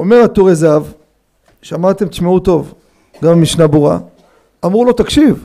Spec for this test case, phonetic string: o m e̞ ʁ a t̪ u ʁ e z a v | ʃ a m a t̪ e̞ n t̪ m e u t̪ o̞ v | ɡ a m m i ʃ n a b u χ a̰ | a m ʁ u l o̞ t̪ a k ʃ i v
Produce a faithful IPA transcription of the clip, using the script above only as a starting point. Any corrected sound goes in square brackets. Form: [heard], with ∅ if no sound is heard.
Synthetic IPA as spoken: o m e̞ ʁ a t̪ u ʁ e z a v | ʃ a m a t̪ e̞ [m] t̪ m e u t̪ o̞ v | ɡ a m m i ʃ n a b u [ʁ] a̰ | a m ʁ u l o̞ t̪ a k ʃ i v